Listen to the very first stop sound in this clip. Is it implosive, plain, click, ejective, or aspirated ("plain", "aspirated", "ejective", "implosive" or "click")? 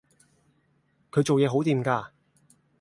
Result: aspirated